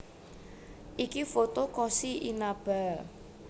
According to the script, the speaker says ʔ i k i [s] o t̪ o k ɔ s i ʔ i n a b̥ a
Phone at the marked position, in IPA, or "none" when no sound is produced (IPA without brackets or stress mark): f